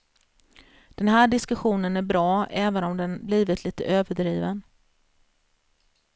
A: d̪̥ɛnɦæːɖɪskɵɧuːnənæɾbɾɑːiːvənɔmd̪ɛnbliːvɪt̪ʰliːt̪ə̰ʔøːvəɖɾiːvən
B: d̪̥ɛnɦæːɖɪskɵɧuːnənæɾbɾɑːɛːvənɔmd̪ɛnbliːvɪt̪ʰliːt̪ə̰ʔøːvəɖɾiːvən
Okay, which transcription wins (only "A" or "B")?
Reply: B